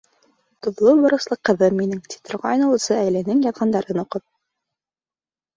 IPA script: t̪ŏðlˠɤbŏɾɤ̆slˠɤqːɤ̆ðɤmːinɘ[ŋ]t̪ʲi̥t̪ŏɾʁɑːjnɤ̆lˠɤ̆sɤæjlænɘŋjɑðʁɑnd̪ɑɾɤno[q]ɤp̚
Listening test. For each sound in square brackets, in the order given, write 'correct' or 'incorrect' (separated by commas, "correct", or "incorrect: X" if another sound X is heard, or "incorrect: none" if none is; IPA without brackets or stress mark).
correct, correct